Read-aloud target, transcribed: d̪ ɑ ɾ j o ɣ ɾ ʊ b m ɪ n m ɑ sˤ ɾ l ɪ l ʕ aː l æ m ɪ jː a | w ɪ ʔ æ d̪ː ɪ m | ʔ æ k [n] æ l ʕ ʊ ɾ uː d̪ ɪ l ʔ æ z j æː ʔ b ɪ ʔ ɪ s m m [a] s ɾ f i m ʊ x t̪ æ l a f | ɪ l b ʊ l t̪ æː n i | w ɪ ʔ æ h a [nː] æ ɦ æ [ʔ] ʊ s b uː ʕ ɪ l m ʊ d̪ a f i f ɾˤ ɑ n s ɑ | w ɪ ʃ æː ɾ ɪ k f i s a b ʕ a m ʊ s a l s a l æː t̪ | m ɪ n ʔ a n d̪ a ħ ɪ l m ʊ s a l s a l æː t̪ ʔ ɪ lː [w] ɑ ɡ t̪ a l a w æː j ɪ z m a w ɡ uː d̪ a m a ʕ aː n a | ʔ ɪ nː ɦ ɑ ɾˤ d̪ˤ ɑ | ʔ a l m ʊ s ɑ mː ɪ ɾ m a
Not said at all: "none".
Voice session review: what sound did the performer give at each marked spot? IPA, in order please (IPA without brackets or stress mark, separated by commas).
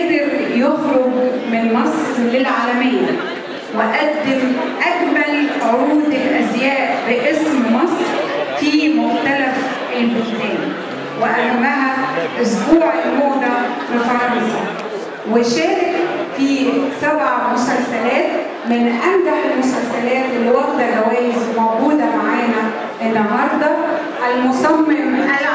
m, ɑ, mː, ʔ, w